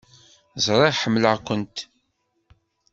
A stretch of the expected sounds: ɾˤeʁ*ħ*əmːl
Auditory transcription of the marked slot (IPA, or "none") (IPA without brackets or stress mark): ħ